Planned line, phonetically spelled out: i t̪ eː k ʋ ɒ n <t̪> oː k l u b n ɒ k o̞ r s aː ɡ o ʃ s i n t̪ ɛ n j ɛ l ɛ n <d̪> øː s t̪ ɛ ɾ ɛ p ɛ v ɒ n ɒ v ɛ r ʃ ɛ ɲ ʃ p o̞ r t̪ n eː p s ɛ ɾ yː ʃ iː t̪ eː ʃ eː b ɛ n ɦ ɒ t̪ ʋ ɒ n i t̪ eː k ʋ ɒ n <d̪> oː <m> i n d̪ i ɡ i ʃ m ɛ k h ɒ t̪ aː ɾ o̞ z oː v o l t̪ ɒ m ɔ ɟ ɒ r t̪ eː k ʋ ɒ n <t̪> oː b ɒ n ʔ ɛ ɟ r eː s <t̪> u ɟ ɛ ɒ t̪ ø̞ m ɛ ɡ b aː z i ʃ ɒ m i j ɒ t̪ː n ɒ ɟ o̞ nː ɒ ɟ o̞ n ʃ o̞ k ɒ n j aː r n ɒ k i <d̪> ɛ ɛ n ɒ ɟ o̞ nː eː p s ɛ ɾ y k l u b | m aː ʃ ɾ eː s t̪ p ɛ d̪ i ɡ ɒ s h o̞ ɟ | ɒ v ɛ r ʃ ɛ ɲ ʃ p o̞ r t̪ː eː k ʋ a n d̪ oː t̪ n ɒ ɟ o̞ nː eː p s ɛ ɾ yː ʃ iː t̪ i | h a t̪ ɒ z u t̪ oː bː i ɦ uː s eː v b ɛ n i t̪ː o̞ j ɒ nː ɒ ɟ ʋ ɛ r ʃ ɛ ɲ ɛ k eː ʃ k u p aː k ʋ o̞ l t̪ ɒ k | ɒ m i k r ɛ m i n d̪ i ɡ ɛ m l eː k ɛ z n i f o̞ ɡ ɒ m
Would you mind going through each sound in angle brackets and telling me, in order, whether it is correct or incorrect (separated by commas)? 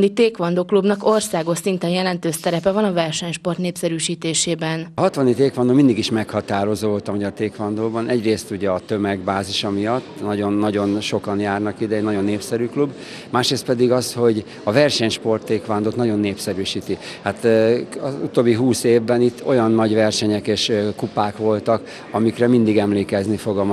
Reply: incorrect, incorrect, correct, correct, incorrect, correct, correct